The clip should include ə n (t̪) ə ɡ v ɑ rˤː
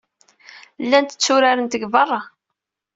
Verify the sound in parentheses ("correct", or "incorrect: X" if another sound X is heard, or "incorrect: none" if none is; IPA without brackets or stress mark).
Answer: correct